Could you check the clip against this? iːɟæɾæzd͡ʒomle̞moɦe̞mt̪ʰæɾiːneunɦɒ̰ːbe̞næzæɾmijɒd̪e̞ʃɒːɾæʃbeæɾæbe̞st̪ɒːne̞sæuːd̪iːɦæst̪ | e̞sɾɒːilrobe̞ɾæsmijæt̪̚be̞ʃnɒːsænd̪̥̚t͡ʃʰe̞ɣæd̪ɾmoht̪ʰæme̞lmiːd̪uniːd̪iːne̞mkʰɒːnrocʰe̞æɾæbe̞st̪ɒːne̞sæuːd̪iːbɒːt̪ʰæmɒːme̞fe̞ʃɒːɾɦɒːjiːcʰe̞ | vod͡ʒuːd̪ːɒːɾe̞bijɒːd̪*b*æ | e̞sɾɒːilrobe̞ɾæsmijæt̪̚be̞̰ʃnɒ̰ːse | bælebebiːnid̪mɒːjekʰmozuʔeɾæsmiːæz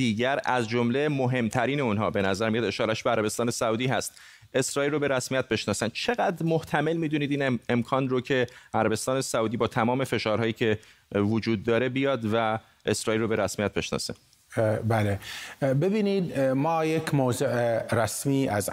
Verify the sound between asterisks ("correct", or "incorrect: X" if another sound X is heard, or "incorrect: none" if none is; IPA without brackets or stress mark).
incorrect: v